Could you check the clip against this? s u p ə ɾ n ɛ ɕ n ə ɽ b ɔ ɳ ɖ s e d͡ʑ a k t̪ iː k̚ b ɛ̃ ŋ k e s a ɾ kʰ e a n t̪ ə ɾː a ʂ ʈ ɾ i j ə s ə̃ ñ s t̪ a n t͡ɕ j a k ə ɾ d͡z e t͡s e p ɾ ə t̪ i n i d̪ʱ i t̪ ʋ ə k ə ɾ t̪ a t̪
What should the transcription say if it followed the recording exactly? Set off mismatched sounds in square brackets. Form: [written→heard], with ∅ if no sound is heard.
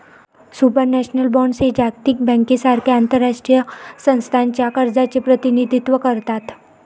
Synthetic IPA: s u p ə ɾ n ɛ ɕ n ə [ɽ→l] b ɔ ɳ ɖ s e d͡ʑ a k t̪ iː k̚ b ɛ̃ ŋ k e s a ɾ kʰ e a n t̪ ə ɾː a ʂ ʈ ɾ i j ə s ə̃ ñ s [t̪→t̪ʰ] a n t͡ɕ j a k ə ɾ d͡z [e→a] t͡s e p ɾ ə t̪ i n i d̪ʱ i t̪ ʋ ə k ə ɾ t̪ a t̪